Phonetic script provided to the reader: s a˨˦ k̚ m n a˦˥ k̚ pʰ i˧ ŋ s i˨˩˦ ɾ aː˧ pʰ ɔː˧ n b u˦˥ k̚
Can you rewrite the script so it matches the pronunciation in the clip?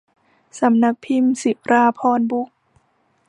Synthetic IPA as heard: s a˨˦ m n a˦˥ k̚ pʰ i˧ m s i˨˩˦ ɾ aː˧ pʰ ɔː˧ n b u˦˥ k̚